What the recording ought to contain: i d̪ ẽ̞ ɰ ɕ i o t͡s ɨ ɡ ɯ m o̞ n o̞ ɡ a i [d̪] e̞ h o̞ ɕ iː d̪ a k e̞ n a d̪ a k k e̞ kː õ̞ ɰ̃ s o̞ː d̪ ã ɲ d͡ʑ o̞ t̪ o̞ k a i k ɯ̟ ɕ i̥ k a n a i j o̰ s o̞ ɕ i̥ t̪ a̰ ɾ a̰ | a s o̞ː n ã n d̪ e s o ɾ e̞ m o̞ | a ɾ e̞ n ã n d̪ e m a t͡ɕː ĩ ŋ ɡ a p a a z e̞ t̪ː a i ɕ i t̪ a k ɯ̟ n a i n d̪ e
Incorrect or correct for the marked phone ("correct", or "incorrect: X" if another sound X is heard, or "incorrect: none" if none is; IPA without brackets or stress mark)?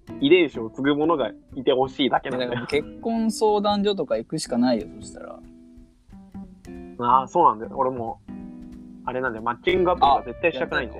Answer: incorrect: t̪